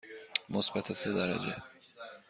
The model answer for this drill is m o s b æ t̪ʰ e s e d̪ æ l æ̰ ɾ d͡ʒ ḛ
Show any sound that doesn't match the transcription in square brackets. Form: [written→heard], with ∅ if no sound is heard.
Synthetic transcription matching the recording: m o s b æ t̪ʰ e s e d̪ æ [l→ɾ] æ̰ [ɾ→∅] d͡ʒ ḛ